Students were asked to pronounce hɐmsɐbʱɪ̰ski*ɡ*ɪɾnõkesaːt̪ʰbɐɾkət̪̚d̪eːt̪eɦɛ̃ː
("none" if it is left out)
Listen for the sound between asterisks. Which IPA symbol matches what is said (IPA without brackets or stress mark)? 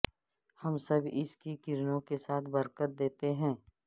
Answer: k